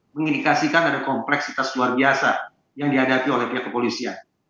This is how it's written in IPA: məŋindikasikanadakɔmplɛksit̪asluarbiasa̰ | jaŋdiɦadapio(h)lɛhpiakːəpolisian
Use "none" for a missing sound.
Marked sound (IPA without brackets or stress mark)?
none